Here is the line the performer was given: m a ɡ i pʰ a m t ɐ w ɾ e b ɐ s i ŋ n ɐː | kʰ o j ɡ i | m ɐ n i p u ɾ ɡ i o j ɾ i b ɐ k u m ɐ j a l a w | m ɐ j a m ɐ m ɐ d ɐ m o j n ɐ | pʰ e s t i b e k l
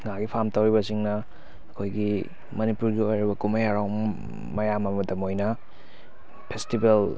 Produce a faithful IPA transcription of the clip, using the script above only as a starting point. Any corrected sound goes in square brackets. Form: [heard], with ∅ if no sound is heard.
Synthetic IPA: [ŋ] a ɡ i pʰ a m t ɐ w ɾ [i] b ɐ s i ŋ n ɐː | kʰ o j ɡ i | m ɐ n i p u ɾ ɡ i o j ɾ i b ɐ k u m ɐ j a [ɾ] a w | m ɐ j a m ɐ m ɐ d ɐ m o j n ɐ | pʰ e s t i b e [∅] l